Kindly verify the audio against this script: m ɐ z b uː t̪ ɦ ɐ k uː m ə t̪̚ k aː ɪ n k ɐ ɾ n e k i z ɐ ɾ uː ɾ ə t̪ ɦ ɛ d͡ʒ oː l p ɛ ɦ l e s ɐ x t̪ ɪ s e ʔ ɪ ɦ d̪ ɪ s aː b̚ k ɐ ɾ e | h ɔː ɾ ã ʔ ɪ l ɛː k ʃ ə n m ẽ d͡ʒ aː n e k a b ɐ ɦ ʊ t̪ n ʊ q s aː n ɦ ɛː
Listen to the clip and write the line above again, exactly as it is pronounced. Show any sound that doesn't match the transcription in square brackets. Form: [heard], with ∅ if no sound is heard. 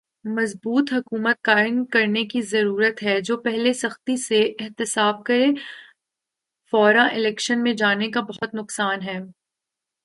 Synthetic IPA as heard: m ɐ z b uː t̪ ɦ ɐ k uː m ə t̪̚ k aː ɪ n k ɐ ɾ n e k i z ɐ ɾ uː ɾ ə t̪ ɦ ɛ d͡ʒ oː [∅] p ɛ ɦ l e s ɐ x t̪ [i] s e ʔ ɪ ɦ [t̪] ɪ s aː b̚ k ɐ ɾ e | [f] ɔː ɾ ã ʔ ɪ l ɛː k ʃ ə n m ẽ d͡ʒ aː n e k a b ɐ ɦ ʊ t̪ n ʊ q s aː n ɦ ɛː